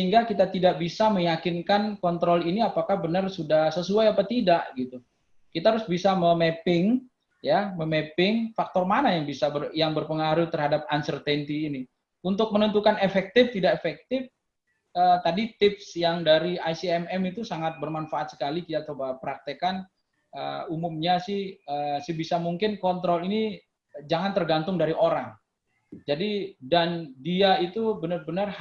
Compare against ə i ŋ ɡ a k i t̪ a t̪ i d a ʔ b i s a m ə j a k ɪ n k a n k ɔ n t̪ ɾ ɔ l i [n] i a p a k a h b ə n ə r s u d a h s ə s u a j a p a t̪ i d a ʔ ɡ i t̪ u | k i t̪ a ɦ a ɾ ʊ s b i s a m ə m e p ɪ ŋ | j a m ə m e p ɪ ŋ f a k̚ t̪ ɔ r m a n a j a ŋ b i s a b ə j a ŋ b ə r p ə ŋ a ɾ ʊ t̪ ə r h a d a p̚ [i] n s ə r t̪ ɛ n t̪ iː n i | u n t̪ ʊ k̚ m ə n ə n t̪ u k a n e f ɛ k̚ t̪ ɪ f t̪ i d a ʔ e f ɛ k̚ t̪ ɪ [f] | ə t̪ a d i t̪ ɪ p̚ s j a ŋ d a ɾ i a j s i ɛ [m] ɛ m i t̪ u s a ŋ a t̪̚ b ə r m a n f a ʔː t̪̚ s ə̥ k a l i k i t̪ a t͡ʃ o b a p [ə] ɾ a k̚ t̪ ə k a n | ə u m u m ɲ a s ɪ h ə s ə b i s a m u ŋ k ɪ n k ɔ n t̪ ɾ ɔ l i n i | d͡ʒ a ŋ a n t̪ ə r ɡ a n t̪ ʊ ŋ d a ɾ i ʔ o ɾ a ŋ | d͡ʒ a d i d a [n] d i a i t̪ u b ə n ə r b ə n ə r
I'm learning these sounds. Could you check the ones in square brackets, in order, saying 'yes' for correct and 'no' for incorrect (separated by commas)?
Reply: yes, no, yes, yes, yes, yes